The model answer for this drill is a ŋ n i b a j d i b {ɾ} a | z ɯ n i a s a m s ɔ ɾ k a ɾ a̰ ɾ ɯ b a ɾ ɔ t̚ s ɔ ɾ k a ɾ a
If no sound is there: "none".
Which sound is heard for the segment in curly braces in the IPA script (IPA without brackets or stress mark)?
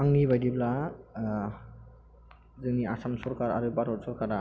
l